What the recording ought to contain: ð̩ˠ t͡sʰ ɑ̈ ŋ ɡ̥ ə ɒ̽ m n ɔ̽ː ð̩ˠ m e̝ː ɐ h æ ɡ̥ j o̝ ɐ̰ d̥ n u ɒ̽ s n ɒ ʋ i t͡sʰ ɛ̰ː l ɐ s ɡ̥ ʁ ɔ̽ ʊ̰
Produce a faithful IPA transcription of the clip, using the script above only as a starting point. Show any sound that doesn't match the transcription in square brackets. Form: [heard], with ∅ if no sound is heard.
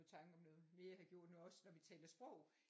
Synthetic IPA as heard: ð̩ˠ t͡sʰ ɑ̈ ŋ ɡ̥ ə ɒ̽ m n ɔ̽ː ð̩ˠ m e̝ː ɐ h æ ɡ̥ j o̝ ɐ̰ d̥ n u ɒ̽ s n ɒ ʋ i t͡sʰ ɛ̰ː l ɐ s [b̥] ʁ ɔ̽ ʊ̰